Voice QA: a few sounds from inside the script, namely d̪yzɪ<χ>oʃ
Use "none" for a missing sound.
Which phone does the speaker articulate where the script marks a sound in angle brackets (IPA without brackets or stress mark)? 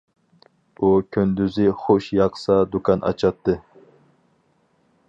χ